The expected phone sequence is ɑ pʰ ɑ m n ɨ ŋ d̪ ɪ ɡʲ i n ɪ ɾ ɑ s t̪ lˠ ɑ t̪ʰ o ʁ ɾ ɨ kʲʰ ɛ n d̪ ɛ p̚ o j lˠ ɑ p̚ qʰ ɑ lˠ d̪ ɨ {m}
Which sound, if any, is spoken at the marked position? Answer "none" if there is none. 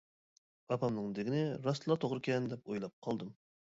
m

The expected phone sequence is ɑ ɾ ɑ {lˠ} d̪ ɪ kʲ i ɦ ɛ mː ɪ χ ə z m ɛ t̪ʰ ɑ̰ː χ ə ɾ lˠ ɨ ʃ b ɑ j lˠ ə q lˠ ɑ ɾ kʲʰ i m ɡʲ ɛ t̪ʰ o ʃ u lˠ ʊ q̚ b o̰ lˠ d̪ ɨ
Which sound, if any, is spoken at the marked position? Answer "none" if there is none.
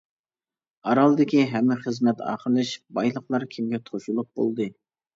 lˠ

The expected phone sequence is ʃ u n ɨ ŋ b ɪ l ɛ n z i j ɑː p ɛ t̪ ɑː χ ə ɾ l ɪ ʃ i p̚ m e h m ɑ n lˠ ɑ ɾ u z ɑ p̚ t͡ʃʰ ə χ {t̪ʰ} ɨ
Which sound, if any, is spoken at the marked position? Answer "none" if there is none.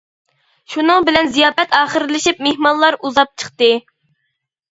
t̪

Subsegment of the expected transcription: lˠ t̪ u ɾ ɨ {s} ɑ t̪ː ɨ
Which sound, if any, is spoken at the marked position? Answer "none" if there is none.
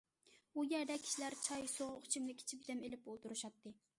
ʃ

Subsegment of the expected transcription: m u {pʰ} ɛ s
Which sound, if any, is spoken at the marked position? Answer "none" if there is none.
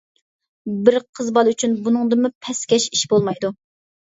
pʰ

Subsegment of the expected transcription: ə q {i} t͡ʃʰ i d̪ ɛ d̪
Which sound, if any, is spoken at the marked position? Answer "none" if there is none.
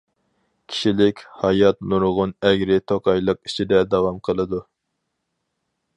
i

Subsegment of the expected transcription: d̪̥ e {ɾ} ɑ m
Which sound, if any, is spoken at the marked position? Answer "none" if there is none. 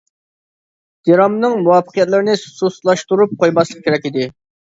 ɾ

